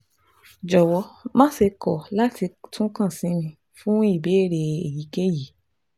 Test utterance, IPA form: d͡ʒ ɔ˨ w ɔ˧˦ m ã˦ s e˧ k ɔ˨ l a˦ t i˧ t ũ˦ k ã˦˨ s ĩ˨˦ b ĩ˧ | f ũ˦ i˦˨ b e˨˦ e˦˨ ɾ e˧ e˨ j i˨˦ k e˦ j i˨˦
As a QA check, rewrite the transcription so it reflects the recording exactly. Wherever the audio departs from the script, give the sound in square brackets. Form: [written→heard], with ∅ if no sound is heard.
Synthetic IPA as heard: d͡ʒ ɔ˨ w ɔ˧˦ m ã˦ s e˧ k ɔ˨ l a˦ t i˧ t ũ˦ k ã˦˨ s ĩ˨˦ [b→m] ĩ˧ | f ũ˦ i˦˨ b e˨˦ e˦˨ ɾ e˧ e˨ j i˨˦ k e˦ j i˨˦